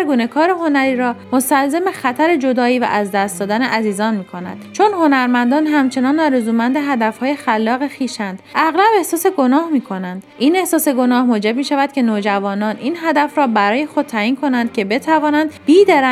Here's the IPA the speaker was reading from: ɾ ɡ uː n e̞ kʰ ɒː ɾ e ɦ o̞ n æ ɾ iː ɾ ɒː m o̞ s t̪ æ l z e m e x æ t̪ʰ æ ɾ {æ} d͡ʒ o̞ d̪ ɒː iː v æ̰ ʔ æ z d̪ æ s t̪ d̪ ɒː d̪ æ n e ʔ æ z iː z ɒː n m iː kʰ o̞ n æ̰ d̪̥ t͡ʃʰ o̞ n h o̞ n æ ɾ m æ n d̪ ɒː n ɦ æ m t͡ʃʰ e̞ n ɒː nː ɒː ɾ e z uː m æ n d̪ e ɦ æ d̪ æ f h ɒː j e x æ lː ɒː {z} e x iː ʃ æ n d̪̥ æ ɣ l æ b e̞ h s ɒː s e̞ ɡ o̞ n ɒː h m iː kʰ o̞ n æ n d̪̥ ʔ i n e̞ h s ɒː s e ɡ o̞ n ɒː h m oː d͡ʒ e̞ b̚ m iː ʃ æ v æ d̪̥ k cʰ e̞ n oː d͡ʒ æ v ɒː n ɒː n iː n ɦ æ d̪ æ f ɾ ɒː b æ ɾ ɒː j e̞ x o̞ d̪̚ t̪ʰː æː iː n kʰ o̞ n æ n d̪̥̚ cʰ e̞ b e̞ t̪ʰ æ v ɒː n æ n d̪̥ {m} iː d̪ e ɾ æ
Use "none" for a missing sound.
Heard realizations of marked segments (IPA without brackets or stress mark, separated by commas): e, ɣ, b